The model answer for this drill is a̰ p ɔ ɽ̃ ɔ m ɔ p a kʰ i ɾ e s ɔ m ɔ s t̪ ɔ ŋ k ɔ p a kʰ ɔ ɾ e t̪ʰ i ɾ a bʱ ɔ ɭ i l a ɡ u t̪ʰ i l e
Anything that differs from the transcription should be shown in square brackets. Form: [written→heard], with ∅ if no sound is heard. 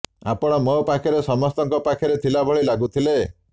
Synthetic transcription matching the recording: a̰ p ɔ ɽ̃ ɔ m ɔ p a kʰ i ɾ e s ɔ m ɔ s t̪ ɔ ŋ k ɔ p a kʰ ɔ ɾ e t̪ʰ i [ɾ→l] a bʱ ɔ ɭ i l a ɡ u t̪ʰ i l e